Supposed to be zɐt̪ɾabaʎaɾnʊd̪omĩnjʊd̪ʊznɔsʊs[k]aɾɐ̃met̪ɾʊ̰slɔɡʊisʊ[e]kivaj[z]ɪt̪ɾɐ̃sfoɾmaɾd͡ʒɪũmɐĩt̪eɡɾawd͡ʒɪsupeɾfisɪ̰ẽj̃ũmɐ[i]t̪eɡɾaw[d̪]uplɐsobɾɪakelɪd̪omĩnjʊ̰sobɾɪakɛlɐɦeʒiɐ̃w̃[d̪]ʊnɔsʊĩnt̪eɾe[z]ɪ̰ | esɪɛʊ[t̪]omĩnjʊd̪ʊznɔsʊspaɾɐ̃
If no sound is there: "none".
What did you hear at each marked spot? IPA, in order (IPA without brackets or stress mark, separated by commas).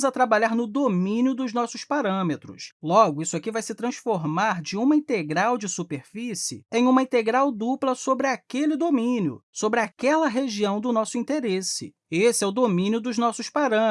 p, a, s, ĩ, d̪, d̪, s, d̪